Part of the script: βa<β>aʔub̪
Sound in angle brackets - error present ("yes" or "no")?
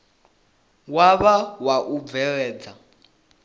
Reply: yes